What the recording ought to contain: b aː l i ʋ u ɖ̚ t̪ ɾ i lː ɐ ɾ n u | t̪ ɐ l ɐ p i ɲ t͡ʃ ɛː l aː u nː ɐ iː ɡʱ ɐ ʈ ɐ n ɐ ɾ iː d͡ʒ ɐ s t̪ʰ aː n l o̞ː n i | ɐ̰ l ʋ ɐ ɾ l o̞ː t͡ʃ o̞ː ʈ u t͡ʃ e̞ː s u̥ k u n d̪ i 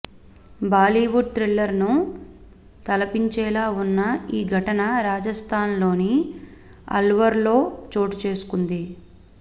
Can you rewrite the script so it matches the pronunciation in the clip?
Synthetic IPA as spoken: b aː l i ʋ u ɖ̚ t̪ ɾ i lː ɐ ɾ n u | t̪ ɐ l ɐ p i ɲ t͡ʃ ɛː l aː u nː ɐ iː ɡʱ ɐ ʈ ɐ n ɐ ɾ aː d͡ʒ ɐ s t̪ʰ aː n l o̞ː n i | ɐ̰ l ʋ ɐ ɾ l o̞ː t͡ʃ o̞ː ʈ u t͡ʃ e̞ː s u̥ k u n d̪ i